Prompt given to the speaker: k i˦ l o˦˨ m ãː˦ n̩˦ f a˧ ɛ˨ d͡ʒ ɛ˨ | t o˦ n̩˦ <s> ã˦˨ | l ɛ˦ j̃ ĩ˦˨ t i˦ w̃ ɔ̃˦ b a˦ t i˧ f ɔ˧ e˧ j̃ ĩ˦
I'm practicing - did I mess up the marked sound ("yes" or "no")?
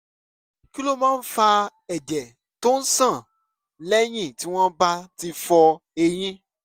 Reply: no